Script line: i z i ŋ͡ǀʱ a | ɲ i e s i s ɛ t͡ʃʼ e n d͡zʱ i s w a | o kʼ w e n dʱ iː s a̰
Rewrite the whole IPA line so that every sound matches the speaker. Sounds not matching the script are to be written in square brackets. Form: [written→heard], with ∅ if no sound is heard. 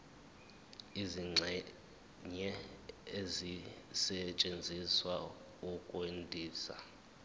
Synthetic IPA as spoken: i z i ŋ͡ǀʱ [a→ɛ] | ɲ [i→ɛ] e [s→z] i s ɛ t͡ʃʼ e n d͡zʱ i s w a | [o→u] kʼ w e n dʱ iː s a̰